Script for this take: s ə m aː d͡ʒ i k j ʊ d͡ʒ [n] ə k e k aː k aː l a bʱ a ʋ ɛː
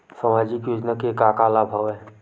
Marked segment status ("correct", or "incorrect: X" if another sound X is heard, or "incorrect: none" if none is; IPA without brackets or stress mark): correct